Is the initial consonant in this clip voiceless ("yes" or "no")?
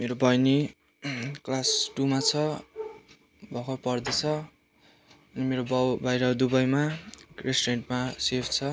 no